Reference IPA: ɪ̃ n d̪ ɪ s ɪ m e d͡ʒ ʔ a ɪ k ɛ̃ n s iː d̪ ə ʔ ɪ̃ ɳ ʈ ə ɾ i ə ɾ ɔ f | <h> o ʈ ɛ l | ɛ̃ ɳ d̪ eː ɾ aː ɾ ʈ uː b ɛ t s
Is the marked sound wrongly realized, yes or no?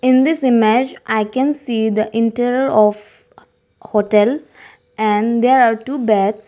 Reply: no